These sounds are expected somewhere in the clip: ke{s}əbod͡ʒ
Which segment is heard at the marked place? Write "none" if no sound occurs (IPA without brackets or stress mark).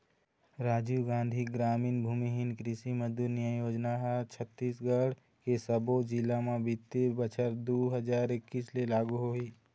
s